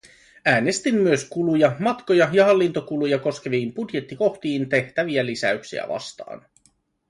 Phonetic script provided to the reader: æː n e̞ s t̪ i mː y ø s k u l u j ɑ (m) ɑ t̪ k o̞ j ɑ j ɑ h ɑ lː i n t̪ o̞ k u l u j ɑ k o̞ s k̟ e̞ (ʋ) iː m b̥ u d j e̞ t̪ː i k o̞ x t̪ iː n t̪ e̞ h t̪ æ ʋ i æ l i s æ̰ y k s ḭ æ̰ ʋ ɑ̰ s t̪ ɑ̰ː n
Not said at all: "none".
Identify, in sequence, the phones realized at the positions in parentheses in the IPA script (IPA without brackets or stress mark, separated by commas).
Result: m, ʋ